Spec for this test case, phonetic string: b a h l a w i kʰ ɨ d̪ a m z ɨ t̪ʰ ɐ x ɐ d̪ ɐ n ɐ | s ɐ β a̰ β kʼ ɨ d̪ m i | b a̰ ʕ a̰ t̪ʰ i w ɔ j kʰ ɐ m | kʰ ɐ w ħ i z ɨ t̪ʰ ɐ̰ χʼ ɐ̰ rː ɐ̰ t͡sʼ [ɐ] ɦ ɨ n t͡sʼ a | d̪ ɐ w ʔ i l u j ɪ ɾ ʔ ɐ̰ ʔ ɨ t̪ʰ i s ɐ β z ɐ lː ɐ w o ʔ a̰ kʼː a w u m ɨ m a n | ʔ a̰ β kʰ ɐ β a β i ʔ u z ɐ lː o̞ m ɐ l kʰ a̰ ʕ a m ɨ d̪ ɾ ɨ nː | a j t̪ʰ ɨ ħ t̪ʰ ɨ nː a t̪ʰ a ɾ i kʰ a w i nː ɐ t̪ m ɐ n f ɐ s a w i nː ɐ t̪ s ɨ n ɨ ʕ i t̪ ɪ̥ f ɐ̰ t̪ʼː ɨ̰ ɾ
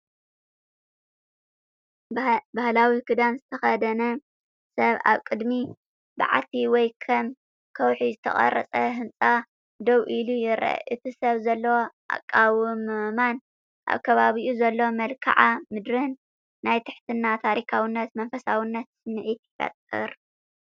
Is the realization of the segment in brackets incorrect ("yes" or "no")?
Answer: no